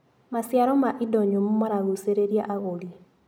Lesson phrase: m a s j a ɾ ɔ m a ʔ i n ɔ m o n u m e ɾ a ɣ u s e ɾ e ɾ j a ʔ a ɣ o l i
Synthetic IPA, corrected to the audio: m a s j a ɾ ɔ m a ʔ i d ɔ ɲ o m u m a ɾ a ɣ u s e ɾ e ɾ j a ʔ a ɣ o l i